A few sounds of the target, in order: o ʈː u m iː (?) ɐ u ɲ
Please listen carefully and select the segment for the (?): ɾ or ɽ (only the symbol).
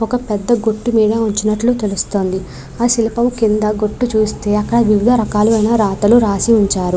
ɽ